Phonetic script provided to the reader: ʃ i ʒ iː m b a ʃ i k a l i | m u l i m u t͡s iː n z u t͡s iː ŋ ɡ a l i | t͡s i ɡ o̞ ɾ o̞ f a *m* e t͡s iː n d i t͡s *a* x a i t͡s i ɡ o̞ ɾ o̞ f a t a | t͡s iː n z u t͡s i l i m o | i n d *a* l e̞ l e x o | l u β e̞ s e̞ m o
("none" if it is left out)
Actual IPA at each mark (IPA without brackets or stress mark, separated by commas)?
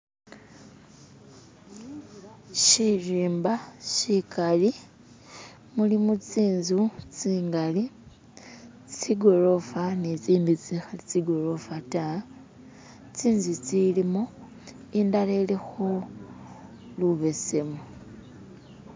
n, i, a